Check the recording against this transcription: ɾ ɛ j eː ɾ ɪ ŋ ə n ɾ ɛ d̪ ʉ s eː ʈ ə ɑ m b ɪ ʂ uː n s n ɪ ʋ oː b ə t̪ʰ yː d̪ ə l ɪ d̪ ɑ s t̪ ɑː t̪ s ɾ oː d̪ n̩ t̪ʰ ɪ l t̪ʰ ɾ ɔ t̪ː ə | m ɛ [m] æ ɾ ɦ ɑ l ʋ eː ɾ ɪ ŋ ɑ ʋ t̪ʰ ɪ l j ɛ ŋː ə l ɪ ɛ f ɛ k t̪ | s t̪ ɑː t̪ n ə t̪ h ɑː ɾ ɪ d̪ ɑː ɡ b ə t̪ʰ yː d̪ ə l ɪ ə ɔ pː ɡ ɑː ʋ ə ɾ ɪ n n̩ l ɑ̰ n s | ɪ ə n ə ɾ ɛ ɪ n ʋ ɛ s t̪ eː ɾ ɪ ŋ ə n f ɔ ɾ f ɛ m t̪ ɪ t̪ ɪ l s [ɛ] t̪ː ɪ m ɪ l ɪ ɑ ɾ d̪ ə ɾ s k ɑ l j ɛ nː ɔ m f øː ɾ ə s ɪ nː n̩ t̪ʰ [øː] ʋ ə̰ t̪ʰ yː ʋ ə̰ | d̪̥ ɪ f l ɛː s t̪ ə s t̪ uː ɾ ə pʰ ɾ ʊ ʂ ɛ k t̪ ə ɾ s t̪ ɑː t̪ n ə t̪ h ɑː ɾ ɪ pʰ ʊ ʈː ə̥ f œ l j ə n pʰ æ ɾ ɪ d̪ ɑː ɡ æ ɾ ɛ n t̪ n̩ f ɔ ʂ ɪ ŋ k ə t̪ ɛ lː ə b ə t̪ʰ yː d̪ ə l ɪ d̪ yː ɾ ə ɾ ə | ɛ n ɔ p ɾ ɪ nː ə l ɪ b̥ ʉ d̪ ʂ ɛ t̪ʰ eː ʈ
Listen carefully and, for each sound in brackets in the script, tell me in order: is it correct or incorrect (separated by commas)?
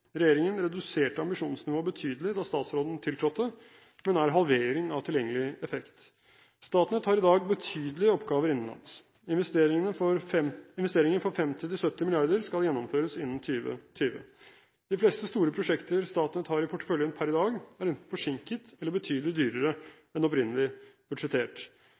incorrect, incorrect, incorrect